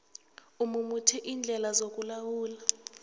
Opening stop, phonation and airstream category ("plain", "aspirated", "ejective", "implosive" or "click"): aspirated